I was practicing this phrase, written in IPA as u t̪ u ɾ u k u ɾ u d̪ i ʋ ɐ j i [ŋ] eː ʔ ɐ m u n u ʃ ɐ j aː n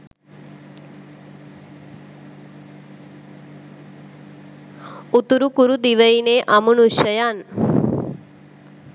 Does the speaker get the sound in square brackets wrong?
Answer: yes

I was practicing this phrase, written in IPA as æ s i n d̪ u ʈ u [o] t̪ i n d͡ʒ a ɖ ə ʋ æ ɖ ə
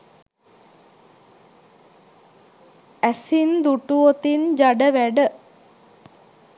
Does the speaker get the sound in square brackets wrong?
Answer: no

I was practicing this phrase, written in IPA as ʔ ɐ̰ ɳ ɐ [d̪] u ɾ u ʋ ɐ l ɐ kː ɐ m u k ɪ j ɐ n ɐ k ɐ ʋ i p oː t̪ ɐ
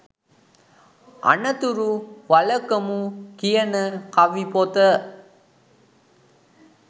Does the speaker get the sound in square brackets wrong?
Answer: yes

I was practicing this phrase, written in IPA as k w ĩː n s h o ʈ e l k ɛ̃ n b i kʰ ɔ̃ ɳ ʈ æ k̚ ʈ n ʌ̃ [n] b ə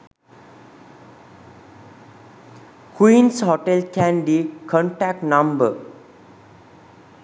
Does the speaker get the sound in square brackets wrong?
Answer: yes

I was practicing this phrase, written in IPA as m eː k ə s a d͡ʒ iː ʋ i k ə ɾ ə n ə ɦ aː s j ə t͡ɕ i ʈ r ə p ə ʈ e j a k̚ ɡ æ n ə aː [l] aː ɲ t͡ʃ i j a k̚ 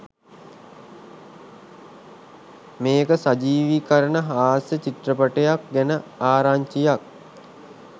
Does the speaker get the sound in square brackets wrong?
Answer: yes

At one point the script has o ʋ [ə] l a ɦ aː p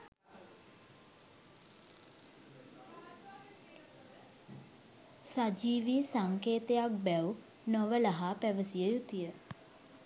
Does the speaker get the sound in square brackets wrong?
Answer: no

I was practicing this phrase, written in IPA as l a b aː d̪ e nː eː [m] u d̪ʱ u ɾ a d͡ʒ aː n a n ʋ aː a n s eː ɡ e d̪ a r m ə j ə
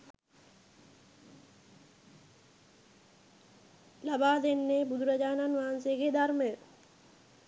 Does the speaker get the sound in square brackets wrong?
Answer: yes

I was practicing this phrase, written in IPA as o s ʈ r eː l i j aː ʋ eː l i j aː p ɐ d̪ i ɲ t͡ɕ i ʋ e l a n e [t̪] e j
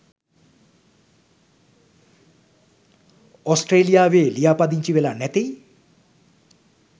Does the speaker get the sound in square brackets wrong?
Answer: no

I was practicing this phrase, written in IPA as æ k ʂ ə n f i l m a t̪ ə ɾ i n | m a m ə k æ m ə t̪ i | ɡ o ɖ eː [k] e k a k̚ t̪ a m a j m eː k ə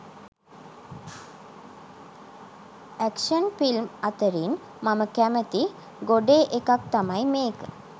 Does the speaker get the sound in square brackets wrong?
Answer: yes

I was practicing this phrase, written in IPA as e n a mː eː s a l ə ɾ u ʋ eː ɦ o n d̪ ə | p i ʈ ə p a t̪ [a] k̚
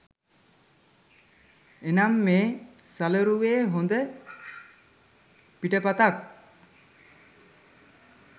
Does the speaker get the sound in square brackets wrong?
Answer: no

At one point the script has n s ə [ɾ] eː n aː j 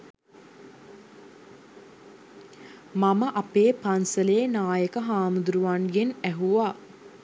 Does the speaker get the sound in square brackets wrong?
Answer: yes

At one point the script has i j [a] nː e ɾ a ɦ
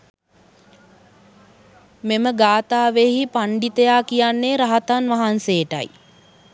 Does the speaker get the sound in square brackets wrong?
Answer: no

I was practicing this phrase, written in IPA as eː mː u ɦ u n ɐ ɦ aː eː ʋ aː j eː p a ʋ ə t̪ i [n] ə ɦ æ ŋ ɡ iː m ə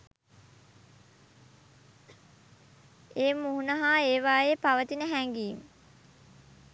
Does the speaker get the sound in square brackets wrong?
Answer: no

